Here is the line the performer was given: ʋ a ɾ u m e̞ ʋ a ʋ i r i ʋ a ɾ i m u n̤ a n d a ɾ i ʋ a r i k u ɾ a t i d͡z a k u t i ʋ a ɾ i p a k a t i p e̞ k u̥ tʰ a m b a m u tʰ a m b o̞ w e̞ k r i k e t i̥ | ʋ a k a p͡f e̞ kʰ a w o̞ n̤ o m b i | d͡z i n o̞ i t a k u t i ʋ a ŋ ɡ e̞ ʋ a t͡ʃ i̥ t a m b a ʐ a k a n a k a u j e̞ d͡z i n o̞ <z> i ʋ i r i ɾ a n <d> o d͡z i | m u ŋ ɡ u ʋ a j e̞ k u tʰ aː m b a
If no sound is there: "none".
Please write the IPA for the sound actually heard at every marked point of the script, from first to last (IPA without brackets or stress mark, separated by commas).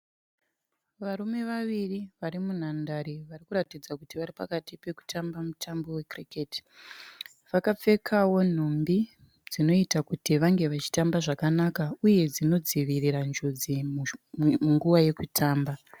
d͡z, d͡ʒ